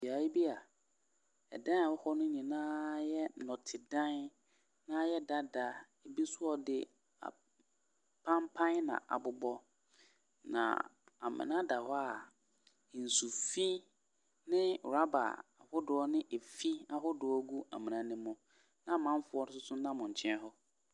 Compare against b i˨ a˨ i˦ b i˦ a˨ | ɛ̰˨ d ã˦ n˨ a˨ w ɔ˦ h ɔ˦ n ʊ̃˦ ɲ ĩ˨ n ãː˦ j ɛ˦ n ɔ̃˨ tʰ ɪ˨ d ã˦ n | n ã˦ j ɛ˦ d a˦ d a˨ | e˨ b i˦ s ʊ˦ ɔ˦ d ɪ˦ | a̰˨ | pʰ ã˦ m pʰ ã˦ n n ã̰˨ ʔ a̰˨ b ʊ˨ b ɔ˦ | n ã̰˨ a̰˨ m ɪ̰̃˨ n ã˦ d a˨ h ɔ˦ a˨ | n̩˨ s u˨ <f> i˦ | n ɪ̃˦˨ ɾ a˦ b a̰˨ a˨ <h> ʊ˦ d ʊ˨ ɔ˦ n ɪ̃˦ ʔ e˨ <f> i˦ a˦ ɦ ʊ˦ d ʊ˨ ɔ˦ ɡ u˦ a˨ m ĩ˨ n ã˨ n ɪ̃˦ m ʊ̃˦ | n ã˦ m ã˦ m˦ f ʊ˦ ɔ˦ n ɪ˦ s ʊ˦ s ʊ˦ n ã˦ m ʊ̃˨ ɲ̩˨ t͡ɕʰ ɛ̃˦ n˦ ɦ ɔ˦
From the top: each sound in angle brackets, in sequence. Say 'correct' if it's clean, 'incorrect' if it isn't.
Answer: correct, correct, correct

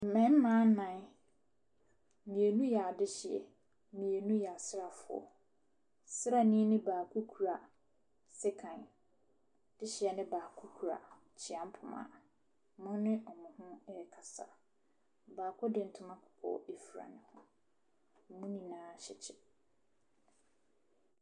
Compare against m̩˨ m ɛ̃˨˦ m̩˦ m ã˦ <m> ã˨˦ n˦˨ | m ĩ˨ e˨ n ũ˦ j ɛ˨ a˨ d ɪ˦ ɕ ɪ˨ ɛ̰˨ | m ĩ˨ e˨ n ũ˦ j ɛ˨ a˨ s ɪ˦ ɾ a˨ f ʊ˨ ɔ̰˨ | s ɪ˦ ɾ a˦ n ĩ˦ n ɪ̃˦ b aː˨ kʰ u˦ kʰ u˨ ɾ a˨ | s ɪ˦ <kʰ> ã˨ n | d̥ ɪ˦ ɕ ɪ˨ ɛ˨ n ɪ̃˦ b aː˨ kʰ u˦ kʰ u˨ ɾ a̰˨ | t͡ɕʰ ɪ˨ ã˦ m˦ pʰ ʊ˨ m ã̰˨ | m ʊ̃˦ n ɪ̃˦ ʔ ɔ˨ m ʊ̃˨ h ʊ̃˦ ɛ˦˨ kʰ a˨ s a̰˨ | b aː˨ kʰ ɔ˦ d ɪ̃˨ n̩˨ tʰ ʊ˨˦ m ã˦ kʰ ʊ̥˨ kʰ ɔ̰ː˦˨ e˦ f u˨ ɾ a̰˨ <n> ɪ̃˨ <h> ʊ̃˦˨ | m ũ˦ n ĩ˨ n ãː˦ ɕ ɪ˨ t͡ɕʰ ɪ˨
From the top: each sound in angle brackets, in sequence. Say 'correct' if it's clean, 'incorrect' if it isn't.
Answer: incorrect: n, correct, correct, correct

